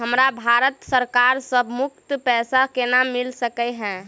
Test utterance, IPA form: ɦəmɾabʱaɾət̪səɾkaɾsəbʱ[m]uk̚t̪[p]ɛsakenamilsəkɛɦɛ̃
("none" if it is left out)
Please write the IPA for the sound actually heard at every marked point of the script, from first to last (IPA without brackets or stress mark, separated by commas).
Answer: m, p